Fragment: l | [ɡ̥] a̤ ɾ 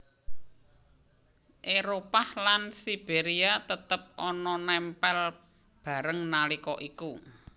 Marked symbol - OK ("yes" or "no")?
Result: no